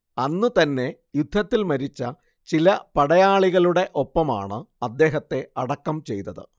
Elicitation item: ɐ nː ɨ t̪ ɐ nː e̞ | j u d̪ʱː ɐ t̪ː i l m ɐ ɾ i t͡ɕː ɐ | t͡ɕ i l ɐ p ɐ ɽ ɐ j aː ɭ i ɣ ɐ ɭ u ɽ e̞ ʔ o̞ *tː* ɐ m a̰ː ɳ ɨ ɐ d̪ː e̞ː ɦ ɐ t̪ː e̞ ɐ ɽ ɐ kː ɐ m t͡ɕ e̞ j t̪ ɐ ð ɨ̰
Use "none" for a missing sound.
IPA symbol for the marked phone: pː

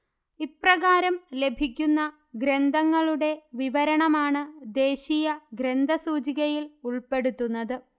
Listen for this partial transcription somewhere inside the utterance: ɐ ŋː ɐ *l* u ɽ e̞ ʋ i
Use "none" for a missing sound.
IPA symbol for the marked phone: ɭ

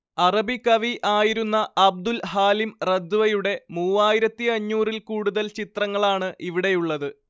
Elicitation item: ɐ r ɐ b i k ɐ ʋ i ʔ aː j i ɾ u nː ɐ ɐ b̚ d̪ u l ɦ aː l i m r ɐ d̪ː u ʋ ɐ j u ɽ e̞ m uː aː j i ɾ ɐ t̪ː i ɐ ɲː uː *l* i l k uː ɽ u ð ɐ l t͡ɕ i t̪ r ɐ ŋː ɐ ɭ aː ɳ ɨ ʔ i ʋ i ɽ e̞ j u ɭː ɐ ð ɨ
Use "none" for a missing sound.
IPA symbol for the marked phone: r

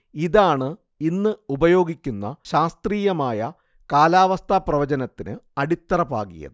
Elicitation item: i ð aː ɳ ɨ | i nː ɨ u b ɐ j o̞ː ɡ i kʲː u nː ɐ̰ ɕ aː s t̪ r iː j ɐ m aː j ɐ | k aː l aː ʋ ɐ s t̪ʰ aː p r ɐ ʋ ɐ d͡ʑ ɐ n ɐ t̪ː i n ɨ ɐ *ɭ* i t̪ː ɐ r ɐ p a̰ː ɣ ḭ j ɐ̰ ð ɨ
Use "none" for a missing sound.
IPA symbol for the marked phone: ɽ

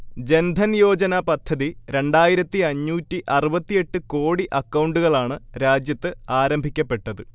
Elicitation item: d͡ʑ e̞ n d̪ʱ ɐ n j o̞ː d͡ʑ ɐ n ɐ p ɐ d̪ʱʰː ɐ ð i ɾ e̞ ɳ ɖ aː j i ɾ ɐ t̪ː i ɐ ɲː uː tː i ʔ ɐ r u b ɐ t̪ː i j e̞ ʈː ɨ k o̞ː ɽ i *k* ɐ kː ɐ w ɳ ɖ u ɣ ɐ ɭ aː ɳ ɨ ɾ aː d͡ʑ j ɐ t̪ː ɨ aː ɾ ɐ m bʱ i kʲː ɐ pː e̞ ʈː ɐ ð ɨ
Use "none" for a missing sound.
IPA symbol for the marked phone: ʔ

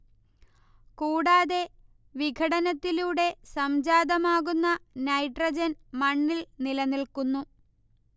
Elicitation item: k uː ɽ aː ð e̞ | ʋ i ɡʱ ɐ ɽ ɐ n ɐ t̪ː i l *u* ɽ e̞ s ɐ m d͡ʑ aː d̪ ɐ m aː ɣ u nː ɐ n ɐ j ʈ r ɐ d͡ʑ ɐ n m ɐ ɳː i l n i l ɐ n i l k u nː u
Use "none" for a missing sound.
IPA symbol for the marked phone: uː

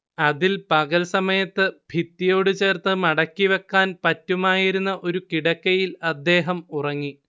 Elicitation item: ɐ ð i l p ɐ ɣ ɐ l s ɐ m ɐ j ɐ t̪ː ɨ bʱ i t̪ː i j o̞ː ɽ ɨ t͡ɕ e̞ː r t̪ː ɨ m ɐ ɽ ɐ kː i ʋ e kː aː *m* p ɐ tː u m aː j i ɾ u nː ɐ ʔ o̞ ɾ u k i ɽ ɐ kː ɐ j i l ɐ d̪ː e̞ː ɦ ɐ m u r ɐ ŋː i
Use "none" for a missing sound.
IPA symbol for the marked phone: n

